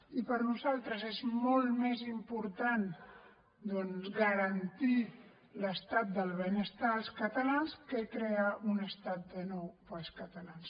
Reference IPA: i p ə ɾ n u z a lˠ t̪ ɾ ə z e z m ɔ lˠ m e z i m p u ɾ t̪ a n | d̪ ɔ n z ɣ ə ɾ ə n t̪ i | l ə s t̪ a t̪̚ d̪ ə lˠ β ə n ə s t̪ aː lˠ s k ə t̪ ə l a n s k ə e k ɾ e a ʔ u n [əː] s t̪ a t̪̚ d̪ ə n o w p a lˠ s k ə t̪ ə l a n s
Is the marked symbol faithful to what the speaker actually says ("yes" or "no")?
no